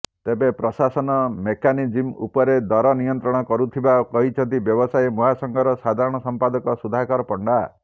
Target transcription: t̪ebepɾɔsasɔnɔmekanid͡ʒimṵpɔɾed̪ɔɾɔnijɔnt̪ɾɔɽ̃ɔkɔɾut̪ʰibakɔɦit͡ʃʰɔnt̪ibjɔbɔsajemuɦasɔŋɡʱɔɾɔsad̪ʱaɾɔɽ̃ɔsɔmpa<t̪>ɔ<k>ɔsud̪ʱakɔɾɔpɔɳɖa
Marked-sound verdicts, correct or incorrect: incorrect: d̪, correct

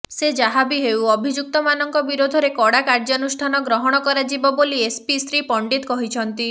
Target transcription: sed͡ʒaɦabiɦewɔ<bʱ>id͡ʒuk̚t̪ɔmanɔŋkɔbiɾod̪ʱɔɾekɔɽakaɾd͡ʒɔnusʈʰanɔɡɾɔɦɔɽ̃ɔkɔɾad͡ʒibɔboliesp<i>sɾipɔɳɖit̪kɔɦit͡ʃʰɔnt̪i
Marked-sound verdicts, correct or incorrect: correct, correct

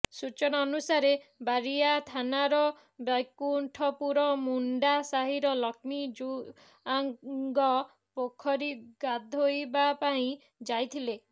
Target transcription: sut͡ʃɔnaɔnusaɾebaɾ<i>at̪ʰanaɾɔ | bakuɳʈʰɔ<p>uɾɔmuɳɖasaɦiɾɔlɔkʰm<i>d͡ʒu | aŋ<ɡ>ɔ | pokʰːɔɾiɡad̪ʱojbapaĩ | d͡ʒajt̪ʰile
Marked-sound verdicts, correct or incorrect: correct, correct, correct, correct

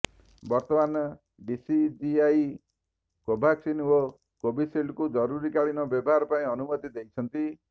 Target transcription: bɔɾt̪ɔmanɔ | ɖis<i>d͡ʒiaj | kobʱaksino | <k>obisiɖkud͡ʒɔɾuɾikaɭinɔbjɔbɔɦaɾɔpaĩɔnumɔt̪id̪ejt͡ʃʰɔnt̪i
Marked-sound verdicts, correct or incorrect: correct, correct

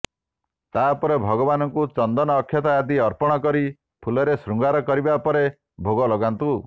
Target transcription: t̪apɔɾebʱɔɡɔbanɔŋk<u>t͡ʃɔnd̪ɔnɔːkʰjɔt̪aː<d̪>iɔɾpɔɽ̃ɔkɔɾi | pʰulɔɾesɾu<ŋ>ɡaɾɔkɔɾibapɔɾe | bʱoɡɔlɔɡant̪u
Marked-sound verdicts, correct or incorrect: correct, correct, correct

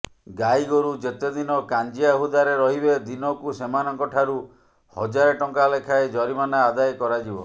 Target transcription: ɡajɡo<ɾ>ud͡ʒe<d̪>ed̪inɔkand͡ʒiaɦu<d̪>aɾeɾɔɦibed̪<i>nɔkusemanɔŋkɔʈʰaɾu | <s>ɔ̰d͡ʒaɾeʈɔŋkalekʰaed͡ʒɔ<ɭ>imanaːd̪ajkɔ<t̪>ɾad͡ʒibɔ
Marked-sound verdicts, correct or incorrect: correct, incorrect: t̪, correct, correct, incorrect: h, incorrect: ɾ, incorrect: none

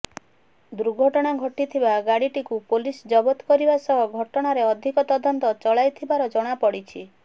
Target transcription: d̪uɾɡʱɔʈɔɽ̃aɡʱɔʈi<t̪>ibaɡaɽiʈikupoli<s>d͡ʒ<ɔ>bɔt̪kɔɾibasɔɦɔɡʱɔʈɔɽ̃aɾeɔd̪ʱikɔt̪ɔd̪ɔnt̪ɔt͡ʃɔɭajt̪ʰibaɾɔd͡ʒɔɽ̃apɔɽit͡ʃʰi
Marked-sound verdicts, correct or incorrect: incorrect: t̪ʰ, correct, correct

